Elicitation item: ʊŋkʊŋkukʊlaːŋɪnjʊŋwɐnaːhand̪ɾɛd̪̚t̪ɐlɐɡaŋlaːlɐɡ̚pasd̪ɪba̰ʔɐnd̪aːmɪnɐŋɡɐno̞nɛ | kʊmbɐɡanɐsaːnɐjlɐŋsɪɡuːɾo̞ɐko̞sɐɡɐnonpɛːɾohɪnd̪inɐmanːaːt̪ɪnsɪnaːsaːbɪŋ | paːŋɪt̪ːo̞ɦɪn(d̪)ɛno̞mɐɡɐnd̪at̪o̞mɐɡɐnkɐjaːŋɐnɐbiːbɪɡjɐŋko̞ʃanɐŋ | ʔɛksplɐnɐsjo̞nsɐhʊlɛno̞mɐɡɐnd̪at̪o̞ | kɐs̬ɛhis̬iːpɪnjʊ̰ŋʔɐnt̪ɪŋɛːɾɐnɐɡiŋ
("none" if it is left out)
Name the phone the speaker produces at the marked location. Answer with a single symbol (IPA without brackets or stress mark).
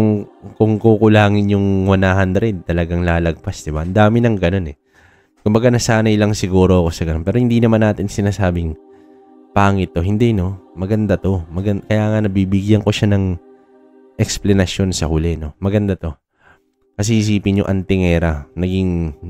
d̪